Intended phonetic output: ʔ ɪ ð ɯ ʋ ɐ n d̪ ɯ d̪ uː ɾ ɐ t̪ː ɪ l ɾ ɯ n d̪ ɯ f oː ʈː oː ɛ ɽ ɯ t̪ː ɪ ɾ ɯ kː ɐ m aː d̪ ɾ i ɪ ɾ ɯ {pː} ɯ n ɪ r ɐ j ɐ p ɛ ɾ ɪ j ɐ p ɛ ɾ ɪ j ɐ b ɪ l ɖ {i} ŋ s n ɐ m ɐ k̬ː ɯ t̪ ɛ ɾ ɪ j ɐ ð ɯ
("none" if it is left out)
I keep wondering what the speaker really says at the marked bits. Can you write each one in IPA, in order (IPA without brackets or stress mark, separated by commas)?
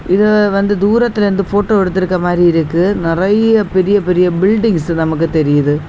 kː, ɪ